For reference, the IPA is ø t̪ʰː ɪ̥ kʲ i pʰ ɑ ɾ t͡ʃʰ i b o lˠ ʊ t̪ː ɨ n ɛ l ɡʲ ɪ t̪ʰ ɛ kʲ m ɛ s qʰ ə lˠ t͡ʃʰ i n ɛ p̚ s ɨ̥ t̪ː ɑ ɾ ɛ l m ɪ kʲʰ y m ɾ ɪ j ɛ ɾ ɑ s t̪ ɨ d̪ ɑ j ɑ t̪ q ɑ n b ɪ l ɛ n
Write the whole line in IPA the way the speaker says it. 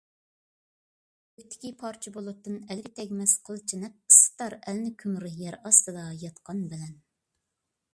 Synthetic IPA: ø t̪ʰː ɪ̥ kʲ i pʰ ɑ ɾ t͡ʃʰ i b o lˠ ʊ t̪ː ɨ n ɛ l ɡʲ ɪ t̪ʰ ɛ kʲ m ɛ s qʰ ə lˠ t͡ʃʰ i n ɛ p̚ s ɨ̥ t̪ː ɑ ɾ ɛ l n ɪ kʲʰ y m ɾ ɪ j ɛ ɾ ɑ s t̪ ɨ d̪ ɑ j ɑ t̪ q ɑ n b ɪ l ɛ n